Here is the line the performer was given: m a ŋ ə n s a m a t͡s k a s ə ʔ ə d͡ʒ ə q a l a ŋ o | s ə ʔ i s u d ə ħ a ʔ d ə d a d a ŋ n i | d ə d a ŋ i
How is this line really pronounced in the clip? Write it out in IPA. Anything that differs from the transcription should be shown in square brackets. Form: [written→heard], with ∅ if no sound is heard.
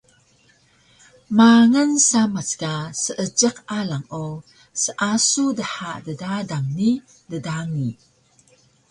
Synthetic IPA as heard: m a ŋ ə n s a m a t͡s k a s ə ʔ ə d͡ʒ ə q a l a ŋ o | s ə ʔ [i→a] s u d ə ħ a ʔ d ə d a d a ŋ n i | d ə d a ŋ i